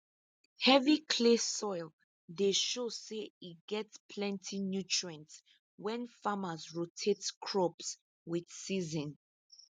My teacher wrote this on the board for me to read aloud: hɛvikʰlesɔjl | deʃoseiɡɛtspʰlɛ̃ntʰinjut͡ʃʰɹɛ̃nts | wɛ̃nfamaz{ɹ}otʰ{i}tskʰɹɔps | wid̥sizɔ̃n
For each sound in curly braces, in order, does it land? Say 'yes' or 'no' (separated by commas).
yes, no